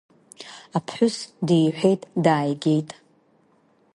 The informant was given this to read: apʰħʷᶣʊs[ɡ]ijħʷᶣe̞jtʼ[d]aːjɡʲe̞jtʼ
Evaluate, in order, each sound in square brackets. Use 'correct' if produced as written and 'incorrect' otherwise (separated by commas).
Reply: incorrect, correct